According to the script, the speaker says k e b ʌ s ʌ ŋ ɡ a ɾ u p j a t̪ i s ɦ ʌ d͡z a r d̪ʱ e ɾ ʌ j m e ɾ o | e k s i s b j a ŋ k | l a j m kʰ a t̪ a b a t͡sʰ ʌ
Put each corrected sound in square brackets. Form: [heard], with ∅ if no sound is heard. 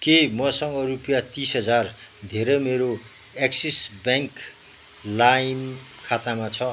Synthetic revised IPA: k e [m] ʌ s ʌ ŋ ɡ [ʌ] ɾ u p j a t̪ i s ɦ ʌ d͡z a r d̪ʱ e ɾ ʌ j m e ɾ o | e k s i s b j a ŋ k | l a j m kʰ a t̪ a [m] a t͡sʰ ʌ